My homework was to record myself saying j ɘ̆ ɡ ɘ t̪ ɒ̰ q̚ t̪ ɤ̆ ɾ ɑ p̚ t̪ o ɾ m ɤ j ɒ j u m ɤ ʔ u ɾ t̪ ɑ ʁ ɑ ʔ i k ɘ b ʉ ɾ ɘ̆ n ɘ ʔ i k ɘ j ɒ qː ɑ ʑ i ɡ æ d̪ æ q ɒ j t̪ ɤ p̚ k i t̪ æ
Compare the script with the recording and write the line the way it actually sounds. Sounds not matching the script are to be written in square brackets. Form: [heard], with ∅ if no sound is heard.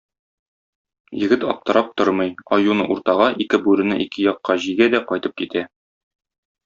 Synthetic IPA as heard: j ɘ̆ ɡ ɘ t̪ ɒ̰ [p̚] t̪ ɤ̆ ɾ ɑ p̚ t̪ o ɾ m ɤ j ɒ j u [n] ɤ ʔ u ɾ t̪ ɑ ʁ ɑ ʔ i k ɘ b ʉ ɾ ɘ̆ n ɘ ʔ i k ɘ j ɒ qː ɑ ʑ i ɡ æ d̪ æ q ɒ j t̪ ɤ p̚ k i t̪ æ